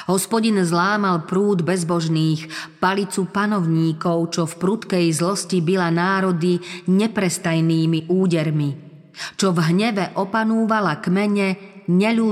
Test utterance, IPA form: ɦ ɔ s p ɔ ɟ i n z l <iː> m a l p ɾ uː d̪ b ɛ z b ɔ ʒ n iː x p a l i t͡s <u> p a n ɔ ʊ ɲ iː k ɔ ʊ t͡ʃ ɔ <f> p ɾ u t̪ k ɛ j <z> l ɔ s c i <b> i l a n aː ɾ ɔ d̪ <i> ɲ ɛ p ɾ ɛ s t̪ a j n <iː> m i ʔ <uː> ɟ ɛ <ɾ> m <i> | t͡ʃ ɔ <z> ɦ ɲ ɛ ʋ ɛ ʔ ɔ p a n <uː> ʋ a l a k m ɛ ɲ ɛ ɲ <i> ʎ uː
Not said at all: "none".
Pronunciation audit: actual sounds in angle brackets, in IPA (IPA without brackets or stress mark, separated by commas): aː, u, f, z, b, i, iː, uː, ɾ, i, v, uː, ɛ